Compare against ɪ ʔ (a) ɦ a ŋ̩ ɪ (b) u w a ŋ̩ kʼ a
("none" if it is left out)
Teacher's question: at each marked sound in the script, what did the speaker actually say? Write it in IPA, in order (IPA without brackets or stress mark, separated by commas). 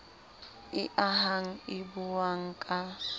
a, b